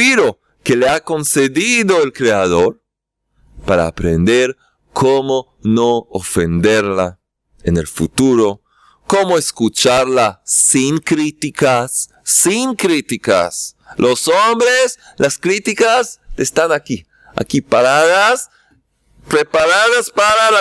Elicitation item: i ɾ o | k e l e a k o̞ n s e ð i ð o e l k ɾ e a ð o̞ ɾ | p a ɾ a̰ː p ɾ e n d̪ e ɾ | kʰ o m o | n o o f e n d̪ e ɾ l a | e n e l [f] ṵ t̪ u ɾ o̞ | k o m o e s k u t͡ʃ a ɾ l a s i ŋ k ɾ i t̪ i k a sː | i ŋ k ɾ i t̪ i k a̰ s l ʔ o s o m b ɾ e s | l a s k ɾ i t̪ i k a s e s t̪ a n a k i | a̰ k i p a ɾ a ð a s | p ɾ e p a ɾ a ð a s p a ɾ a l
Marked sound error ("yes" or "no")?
no